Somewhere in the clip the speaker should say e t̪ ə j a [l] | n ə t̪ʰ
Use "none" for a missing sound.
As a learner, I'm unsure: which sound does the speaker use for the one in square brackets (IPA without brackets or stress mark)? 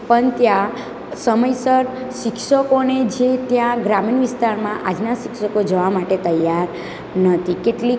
ɾ